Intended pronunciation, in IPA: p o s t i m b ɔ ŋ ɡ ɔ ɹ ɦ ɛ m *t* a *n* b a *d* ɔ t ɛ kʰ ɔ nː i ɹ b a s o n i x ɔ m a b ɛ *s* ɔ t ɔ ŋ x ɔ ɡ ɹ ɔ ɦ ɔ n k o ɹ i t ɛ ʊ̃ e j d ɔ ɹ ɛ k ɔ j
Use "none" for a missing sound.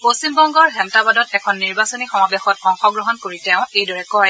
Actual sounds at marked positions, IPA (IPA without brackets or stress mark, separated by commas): t, none, d, x